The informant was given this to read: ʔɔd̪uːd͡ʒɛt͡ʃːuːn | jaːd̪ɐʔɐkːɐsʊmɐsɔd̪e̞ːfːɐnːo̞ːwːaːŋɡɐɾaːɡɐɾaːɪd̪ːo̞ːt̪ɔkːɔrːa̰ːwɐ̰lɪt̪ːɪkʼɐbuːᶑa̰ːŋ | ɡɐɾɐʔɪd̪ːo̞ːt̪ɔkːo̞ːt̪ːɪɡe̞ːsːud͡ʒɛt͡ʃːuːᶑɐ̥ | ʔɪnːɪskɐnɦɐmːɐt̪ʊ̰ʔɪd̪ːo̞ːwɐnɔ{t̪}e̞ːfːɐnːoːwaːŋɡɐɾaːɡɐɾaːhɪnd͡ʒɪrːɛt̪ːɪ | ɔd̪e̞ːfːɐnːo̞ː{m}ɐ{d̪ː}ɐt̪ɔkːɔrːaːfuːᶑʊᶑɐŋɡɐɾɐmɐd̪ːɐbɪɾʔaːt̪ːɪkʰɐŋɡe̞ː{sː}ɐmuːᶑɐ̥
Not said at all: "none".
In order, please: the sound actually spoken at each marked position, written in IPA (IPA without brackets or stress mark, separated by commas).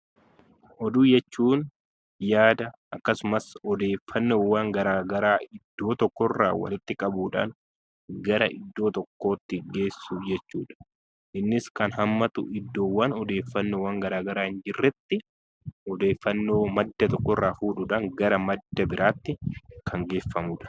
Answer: d̪, m, d̪ː, fː